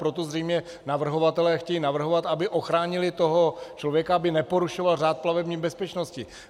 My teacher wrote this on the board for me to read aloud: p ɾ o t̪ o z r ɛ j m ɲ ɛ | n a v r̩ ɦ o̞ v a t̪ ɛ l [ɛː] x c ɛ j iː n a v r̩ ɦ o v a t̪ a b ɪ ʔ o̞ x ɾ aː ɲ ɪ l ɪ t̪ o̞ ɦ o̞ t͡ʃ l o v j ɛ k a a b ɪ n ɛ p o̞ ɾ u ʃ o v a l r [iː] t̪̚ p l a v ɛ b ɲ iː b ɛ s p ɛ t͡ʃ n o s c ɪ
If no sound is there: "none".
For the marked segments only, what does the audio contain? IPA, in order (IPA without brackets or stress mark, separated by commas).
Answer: ɛː, aː